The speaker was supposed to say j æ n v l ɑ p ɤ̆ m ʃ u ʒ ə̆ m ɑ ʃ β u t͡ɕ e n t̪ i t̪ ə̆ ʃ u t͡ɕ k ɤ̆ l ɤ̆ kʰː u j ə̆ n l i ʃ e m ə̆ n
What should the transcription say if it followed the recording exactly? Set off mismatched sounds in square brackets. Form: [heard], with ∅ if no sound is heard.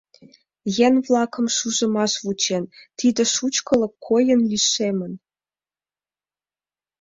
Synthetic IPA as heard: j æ n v l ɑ [k] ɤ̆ m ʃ u ʒ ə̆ m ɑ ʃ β u t͡ɕ e n t̪ i [d̪] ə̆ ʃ u t͡ɕ k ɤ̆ l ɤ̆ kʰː [o] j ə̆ n l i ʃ e m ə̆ n